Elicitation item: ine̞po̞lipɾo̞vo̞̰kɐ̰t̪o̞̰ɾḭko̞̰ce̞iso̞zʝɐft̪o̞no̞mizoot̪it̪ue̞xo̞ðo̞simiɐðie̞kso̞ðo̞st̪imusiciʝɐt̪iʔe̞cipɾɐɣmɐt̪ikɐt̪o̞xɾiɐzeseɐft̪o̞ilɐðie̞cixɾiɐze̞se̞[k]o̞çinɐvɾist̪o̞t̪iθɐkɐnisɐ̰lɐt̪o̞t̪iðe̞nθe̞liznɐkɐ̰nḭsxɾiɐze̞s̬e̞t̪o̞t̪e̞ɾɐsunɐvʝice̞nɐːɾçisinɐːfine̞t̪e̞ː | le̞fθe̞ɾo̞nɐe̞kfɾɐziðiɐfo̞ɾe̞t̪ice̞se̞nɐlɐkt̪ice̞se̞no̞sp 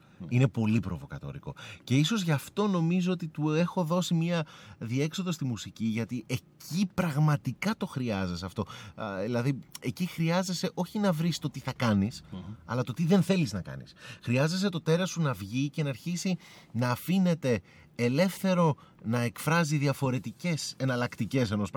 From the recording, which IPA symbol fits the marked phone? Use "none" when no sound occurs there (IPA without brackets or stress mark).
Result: ʔ